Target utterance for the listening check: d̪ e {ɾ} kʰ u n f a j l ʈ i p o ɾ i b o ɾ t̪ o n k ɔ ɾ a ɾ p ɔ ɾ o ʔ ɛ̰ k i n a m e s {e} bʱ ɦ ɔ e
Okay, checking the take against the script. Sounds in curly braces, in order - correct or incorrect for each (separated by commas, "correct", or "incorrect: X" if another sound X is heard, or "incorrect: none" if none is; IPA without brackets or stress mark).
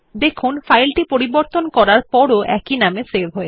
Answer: incorrect: none, correct